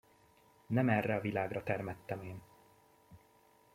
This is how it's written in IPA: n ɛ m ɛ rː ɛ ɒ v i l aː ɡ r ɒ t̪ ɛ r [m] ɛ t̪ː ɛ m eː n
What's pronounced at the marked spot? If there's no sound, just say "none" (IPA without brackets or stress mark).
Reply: m